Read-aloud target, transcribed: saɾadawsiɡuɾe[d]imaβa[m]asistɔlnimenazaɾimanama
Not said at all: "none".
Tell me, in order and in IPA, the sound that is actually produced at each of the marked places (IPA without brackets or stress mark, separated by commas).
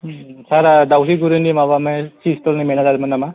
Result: n, m